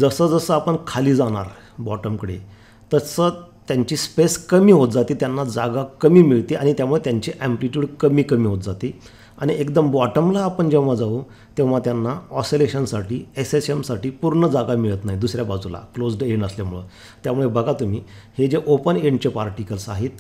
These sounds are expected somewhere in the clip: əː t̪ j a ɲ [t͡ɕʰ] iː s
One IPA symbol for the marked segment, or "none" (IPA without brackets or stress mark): t͡ɕ